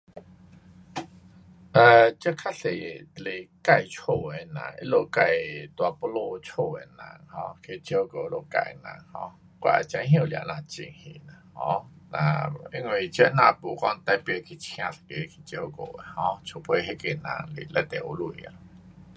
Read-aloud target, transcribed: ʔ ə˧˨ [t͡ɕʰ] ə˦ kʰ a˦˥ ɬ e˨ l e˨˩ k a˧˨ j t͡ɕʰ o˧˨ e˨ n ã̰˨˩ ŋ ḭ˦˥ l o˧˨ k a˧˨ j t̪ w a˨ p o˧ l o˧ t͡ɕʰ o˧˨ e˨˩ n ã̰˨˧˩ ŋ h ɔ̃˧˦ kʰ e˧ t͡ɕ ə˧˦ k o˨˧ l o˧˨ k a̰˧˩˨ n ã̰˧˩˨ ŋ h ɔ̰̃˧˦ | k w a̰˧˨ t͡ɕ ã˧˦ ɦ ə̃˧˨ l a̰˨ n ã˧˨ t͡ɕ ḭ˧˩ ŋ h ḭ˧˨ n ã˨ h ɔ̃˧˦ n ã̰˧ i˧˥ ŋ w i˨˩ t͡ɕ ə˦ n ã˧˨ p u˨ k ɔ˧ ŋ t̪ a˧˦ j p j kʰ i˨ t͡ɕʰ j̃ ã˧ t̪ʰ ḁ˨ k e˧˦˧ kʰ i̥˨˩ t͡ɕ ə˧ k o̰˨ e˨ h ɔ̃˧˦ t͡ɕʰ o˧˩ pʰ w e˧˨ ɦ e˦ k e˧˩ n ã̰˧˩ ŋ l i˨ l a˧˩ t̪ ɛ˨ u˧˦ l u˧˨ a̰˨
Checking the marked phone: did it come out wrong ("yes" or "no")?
yes